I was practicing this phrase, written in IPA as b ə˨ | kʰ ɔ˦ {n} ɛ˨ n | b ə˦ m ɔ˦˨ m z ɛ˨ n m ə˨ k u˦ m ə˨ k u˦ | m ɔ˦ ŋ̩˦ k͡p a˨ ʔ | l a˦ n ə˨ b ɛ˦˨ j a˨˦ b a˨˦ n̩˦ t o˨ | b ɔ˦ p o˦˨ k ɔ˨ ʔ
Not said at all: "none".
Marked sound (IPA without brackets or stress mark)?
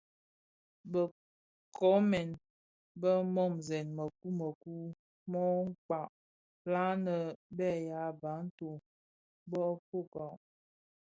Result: m